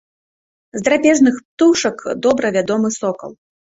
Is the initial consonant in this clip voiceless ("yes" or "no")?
no